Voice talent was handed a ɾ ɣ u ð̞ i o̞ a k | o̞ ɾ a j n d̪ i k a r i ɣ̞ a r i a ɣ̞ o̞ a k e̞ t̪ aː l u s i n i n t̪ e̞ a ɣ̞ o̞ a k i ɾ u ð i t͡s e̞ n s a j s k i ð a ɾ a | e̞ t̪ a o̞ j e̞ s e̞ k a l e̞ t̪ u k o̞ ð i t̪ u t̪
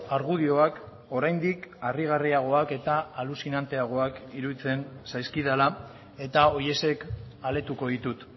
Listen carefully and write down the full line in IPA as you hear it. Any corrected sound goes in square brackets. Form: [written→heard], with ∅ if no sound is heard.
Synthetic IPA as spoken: a ɾ ɣ u ð̞ i o̞ a k | o̞ ɾ a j n d̪ i k a r i ɣ̞ a r i a ɣ̞ o̞ a k e̞ t̪ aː l u s i n [i→a] n t̪ e̞ a ɣ̞ o̞ a k i ɾ u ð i t͡s e̞ n s a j s k i ð a [ɾ→l] a | e̞ t̪ a o̞ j e̞ s e̞ k a l e̞ t̪ u k o̞ ð i t̪ u t̪